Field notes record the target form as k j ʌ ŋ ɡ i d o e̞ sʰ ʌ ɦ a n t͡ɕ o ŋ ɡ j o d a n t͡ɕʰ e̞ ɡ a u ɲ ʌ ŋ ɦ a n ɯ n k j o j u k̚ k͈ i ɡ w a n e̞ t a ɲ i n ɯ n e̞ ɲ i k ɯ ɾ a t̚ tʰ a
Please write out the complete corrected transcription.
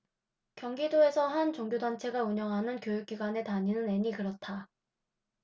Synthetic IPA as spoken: k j ʌ ŋ ɡ i d o e̞ sʰ ʌ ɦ a n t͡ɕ o ŋ ɡ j o d a n t͡ɕʰ e̞ ɡ a u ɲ ʌ ŋ ɦ a n ɯ n k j o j u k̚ k͈ i ɡ w a n e̞ t a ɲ i n ɯ n e̞ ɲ i k ɯ ɾ ʌ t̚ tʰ a